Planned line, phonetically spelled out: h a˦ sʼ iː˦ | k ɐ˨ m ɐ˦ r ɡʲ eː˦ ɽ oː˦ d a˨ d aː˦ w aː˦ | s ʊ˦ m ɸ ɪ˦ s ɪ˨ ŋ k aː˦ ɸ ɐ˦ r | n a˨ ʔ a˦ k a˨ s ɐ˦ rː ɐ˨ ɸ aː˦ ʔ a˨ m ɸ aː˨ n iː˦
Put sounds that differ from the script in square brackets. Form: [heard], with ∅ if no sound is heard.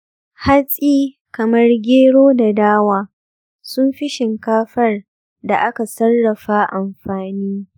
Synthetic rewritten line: h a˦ sʼ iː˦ | k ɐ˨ m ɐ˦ r ɡʲ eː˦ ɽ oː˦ d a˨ d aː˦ w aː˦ | s ʊ˦ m ɸ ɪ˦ [ʃ] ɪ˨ ŋ k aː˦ ɸ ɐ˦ r | [d] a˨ ʔ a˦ k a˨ s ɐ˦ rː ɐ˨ ɸ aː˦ ʔ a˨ m ɸ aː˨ n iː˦